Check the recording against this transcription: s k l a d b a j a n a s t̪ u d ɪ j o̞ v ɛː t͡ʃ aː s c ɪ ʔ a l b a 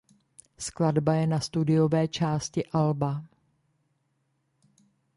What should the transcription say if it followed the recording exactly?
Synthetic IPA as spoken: s k l a d b a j ɛ n a s t̪ u d ɪ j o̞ v ɛː t͡ʃ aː s c ɪ ʔ a l b a